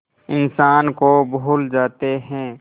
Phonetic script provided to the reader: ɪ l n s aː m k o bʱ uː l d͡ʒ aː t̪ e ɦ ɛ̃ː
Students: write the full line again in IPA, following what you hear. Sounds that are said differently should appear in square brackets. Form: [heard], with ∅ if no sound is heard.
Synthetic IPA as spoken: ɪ [∅] n s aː [n] k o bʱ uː l d͡ʒ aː t̪ e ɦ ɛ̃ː